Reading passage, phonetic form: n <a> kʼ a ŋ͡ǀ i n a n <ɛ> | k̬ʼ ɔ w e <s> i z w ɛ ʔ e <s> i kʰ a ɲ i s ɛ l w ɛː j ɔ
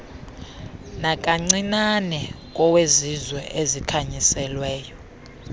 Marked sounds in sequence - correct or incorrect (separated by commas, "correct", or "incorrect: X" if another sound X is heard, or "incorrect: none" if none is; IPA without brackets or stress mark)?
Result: correct, correct, incorrect: z, incorrect: z